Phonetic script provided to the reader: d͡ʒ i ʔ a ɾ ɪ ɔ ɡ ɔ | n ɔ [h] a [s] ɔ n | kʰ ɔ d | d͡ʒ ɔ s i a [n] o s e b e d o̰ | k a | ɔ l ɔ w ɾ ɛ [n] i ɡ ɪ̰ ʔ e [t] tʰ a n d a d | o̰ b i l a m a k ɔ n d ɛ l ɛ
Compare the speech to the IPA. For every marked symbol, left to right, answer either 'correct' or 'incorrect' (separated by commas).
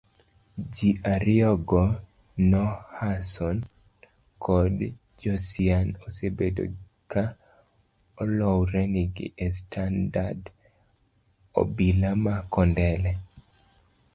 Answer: correct, correct, correct, correct, incorrect